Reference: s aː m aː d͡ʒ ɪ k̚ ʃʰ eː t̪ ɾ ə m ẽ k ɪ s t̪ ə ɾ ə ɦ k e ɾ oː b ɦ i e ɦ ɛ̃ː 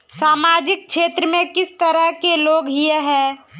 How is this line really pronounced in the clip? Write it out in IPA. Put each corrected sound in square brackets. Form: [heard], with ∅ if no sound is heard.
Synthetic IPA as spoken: s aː m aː d͡ʒ ɪ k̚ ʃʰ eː t̪ ɾ ə m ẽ k ɪ s t̪ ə ɾ ə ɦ k e [l] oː [ɡ] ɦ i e ɦ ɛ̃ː